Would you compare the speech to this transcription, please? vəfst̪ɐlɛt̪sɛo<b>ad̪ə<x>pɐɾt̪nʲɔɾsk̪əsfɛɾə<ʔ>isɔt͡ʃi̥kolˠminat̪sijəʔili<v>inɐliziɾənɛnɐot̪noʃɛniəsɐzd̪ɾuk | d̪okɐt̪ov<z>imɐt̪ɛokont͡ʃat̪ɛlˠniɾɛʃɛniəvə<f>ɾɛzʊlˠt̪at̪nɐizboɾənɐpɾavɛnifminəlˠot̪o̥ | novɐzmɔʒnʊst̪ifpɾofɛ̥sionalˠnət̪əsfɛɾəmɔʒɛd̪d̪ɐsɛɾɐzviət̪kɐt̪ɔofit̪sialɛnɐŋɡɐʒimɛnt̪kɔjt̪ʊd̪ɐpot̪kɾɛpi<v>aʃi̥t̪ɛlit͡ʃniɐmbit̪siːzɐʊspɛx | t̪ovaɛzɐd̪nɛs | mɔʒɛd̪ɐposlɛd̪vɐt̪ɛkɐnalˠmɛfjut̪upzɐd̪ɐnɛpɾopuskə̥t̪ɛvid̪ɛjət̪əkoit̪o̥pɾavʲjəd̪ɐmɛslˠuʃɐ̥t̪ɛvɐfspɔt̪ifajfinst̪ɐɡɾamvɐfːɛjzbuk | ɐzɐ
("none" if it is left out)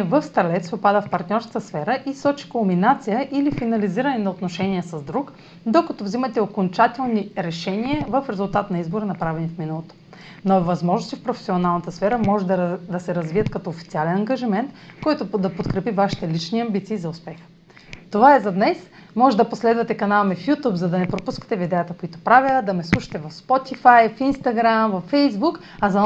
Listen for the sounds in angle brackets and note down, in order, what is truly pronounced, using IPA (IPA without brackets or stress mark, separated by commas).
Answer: p, f, ʔ, f, z, f, v